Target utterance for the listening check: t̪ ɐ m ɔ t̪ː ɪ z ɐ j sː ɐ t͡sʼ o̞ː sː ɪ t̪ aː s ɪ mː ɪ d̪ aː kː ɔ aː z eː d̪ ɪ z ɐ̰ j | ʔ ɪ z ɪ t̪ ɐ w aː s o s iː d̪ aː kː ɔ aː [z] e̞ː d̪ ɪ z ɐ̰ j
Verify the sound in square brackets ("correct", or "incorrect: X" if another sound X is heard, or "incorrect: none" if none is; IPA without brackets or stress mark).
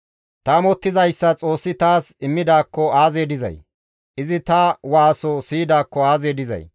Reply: correct